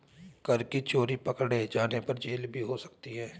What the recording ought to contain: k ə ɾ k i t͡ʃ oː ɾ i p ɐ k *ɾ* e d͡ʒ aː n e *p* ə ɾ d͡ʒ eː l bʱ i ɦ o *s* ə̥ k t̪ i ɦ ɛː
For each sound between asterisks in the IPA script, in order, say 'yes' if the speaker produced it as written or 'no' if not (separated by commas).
no, yes, yes